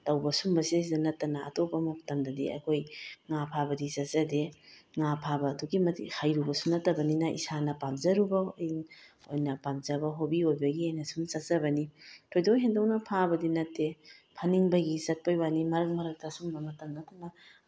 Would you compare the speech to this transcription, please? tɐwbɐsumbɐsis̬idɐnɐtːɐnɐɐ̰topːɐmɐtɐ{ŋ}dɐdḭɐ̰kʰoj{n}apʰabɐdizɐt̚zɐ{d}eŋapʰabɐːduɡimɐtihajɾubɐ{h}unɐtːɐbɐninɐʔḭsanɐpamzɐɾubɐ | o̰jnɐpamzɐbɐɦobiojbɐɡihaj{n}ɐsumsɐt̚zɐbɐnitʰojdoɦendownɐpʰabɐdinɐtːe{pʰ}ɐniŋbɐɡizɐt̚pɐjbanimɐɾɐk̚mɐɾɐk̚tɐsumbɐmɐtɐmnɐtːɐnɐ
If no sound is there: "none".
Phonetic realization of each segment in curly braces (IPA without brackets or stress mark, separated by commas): m, ŋ, d, s, n, pʰ